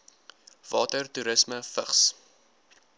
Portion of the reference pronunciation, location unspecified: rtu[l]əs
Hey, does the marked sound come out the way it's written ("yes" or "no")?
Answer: no